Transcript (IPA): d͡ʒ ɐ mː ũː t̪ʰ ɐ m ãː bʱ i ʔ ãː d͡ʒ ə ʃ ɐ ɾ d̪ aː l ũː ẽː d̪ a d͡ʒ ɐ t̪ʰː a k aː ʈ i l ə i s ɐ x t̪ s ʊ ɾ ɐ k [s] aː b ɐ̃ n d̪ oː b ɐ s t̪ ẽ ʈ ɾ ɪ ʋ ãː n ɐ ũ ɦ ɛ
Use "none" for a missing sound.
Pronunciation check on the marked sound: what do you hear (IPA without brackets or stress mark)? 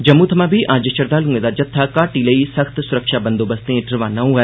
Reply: ʃ